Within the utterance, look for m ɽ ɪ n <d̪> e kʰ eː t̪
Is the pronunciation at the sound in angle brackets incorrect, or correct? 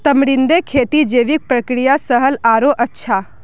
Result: correct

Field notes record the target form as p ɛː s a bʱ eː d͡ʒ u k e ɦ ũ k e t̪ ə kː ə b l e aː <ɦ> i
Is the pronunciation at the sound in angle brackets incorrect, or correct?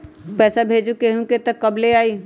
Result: incorrect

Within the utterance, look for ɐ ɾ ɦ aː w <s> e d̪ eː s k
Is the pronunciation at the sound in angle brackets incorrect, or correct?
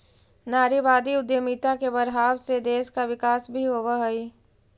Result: correct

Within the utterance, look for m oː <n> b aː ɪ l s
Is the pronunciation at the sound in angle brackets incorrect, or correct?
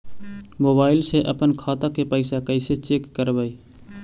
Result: incorrect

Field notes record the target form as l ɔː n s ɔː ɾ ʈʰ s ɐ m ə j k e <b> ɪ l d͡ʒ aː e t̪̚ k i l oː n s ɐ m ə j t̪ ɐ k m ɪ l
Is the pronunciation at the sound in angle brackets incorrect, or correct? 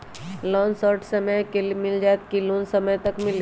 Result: incorrect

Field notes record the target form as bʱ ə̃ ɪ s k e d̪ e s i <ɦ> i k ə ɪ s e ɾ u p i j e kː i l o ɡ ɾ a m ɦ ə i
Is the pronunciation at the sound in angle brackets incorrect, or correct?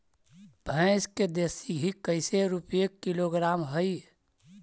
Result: correct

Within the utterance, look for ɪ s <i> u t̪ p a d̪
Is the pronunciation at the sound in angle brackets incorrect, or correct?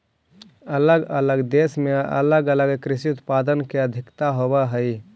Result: correct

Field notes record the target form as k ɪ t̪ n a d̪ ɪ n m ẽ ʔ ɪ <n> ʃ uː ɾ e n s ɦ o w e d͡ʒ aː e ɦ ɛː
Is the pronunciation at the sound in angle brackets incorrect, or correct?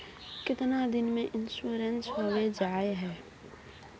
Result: correct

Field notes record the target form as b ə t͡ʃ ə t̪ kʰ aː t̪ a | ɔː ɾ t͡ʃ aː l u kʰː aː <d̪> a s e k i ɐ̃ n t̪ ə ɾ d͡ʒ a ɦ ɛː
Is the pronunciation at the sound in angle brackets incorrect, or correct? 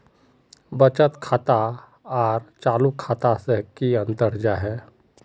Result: incorrect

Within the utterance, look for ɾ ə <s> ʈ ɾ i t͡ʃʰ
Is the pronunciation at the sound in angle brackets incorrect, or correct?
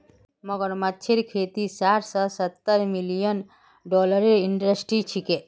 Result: correct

